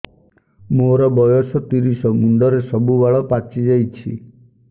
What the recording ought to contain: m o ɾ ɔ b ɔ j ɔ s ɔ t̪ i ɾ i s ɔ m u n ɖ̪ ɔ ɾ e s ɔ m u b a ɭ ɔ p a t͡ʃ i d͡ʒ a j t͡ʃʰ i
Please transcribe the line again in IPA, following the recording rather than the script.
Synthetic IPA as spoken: m o ɾ ɔ b ɔ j ɔ s ɔ t̪ i ɾ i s ɔ m u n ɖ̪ ɔ ɾ e s ɔ b u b a ɭ ɔ p a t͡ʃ i d͡ʒ a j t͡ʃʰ i